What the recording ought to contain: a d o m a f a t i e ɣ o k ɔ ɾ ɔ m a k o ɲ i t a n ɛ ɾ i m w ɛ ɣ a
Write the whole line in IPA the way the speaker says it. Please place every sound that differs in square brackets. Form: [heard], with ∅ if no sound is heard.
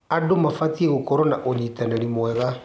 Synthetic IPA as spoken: a d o m a f a t i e ɣ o k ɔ ɾ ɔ [n] a [ʔ] o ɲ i t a n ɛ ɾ i m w ɛ ɣ a